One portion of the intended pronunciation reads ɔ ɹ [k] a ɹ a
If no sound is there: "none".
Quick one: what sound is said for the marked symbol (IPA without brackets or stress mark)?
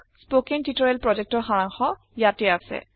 x